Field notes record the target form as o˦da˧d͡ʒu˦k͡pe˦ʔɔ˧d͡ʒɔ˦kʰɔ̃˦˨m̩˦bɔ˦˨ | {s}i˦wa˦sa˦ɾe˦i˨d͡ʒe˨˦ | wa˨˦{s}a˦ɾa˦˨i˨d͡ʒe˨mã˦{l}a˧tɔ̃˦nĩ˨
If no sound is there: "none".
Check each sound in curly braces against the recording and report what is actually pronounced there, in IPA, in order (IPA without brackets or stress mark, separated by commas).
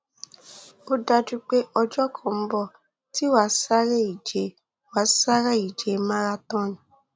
t, s, ɾ